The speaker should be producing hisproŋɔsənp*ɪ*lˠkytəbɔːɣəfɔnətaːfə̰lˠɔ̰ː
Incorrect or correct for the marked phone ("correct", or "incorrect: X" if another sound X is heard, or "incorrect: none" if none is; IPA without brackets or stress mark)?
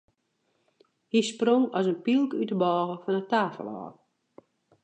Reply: incorrect: i